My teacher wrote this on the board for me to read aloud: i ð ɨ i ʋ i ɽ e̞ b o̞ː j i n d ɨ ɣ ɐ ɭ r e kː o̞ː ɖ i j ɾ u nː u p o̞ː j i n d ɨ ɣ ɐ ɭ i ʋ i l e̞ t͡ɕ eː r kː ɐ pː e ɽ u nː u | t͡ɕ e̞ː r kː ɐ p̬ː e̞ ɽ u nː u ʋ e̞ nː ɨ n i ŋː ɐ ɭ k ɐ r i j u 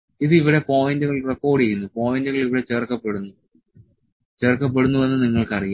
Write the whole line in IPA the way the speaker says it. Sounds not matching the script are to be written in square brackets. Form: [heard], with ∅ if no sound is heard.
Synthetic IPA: i ð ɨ i ʋ i ɽ e̞ [p] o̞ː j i n d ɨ ɣ ɐ ɭ r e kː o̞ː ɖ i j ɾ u nː u p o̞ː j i n d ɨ ɣ ɐ ɭ i ʋ i [ɽ] e̞ t͡ɕ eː r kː ɐ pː e ɽ u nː u | t͡ɕ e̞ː r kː ɐ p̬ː e̞ ɽ u nː u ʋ e̞ nː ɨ n i ŋː ɐ ɭ k ɐ r i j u